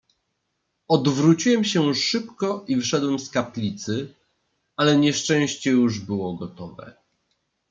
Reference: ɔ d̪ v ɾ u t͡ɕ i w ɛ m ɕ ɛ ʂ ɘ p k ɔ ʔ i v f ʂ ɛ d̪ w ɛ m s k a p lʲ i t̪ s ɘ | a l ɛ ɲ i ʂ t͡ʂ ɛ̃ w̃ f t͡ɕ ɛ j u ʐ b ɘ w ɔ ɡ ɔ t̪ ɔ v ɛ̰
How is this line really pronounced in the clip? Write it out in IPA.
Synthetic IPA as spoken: ɔ d̪ v ɾ u t͡ɕ i w ɛ m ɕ ɛ ʂ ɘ p k ɔ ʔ i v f ʂ ɛ d̪ w ɛ m s k a p lʲ i t̪ s ɘ | a l ɛ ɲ ɛ ʂ t͡ʂ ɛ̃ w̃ ɕ t͡ɕ ɛ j u ʐ b ɘ w ɔ ɡ ɔ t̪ ɔ v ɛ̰